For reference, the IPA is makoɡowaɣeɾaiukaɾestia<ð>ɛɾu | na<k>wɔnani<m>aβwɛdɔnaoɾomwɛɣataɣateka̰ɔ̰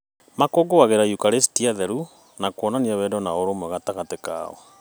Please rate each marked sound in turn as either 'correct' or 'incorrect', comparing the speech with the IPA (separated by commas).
correct, correct, incorrect